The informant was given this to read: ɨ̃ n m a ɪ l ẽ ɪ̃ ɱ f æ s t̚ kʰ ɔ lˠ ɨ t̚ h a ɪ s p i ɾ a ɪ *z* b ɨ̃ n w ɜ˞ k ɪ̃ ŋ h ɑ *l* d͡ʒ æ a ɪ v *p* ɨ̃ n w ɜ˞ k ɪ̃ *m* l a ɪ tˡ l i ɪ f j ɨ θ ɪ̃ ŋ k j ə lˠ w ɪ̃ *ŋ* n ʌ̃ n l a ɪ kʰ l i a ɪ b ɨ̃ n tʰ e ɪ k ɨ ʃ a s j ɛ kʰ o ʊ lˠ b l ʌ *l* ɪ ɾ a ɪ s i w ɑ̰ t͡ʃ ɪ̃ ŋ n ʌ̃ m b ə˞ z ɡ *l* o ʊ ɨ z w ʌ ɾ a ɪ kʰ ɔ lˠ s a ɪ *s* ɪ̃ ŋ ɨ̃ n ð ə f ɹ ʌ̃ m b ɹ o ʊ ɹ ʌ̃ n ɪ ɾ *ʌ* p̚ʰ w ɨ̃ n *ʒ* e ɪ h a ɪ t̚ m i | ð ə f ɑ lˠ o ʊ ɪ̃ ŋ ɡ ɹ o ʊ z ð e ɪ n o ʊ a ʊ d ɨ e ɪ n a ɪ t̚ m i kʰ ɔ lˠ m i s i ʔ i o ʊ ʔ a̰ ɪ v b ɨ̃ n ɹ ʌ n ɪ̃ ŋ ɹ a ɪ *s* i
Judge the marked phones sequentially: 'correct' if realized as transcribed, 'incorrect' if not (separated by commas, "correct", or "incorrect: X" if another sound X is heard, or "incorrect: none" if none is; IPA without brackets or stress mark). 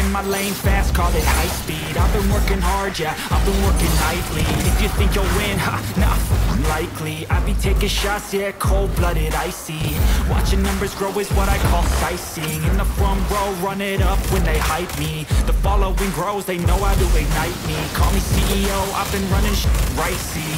incorrect: v, incorrect: ɹ, incorrect: b, incorrect: ŋ, incorrect: n, incorrect: ɾ, incorrect: ɹ, correct, correct, incorrect: ð, correct